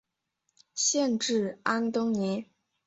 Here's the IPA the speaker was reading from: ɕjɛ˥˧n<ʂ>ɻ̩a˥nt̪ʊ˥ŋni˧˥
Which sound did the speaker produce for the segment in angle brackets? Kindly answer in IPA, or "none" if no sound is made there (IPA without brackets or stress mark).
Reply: ʈ͡ʂ